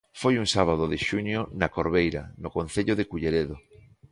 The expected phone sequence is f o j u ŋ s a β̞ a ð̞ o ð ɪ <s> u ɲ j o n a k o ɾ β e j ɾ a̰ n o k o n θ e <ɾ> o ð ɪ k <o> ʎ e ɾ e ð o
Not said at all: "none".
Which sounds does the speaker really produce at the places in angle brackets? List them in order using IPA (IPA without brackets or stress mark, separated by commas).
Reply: ʃ, ʎ, u